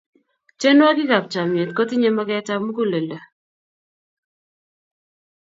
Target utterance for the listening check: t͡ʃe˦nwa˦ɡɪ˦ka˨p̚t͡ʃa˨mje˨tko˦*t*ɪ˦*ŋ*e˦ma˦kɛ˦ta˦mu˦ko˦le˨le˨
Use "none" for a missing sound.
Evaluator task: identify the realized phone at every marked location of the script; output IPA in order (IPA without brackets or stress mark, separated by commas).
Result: t, ɲ